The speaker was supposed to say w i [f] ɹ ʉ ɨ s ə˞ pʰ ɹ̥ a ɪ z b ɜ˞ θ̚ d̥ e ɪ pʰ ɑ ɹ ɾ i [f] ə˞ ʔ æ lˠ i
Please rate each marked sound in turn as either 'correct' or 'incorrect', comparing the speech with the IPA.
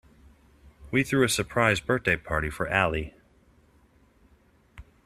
incorrect, correct

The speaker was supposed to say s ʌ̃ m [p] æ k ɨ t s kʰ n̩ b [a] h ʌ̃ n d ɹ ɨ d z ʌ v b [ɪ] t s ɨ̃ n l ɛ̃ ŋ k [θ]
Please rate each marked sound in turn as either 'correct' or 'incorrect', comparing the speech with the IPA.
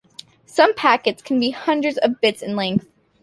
incorrect, incorrect, correct, correct

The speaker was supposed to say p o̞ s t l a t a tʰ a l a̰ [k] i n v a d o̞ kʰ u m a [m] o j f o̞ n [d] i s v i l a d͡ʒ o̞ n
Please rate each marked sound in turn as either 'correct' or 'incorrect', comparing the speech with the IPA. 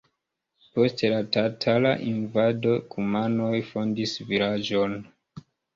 incorrect, incorrect, correct

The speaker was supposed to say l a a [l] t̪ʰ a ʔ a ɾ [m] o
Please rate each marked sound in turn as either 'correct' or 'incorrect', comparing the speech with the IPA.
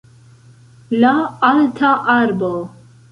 correct, incorrect

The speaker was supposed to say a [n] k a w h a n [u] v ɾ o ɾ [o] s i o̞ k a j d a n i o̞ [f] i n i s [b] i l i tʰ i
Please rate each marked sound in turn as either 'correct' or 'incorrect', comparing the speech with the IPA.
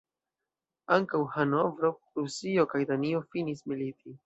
incorrect, incorrect, incorrect, correct, incorrect

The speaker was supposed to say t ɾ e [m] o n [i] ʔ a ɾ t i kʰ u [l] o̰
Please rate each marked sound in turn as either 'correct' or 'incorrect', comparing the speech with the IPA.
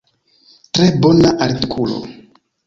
incorrect, incorrect, correct

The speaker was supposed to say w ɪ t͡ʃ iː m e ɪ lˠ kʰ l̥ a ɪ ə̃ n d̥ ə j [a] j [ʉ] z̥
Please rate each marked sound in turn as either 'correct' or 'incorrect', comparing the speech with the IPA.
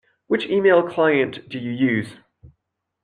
incorrect, incorrect

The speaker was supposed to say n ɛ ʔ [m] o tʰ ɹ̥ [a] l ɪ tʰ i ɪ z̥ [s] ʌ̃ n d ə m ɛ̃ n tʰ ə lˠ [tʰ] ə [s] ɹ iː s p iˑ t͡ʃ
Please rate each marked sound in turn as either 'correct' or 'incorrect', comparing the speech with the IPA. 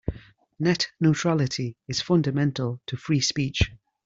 incorrect, correct, incorrect, correct, incorrect

